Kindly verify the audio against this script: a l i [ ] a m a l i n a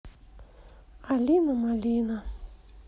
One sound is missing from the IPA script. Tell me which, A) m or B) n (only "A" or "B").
B